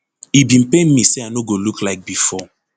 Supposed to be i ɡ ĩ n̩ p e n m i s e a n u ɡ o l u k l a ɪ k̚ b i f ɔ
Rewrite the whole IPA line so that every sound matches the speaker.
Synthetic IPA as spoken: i b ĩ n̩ p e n m i s e a n o ɡ o l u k l a ɪ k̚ b i f ɔ